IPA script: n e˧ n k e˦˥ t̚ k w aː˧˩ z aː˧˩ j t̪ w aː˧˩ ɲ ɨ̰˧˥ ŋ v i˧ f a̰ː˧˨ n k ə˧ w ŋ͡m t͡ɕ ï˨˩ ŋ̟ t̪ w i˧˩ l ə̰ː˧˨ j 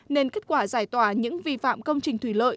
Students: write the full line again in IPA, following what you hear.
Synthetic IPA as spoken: n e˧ n k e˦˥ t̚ k w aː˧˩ z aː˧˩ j t̪ w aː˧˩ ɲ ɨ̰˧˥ ŋ v i˧ f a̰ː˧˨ m k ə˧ w ŋ͡m t͡ɕ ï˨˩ ŋ̟ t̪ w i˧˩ l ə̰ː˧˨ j